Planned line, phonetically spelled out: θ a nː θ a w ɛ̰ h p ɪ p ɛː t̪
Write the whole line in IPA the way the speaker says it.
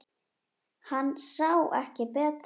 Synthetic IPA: h a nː s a w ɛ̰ h c ɪ p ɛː t̪